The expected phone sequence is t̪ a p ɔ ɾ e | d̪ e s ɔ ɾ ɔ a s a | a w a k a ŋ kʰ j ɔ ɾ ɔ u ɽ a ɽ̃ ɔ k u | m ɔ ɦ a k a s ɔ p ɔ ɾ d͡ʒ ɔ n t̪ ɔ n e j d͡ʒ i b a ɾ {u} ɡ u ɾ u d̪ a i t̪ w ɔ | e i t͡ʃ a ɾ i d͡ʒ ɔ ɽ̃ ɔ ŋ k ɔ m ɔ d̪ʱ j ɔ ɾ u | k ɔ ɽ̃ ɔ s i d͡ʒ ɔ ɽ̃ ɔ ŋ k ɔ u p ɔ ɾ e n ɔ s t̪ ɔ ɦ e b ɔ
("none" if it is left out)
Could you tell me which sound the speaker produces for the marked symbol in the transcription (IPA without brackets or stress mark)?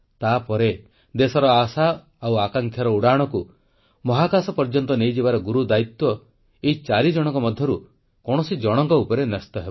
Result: ɔ